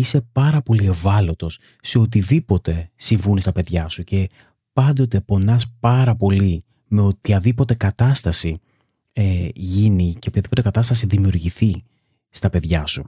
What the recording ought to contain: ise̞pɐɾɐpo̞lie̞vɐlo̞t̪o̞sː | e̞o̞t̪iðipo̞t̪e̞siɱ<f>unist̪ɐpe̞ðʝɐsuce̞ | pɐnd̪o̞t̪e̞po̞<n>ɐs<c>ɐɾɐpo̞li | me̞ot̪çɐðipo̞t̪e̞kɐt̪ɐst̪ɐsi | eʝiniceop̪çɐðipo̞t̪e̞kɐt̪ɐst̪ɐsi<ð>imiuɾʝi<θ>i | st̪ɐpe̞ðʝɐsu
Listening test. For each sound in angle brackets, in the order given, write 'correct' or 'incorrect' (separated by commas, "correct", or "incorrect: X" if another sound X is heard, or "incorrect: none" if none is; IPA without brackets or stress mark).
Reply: incorrect: v, correct, incorrect: p, correct, correct